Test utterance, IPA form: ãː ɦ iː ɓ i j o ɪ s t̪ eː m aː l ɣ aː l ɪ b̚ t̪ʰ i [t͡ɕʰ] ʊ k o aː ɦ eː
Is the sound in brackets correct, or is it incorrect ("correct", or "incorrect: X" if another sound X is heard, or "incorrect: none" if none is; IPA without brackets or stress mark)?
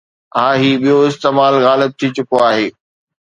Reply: incorrect: t͡ɕ